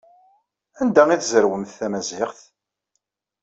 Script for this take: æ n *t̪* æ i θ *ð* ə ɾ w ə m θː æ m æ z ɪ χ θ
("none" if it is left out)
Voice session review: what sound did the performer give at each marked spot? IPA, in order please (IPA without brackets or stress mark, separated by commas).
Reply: d̪, z